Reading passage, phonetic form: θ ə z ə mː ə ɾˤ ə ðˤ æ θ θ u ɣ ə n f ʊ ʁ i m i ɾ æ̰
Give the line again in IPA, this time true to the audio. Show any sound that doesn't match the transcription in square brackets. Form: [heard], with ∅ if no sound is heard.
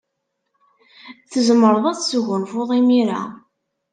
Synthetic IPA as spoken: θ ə z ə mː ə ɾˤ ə ðˤ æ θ [s] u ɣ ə n f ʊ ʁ i m i ɾ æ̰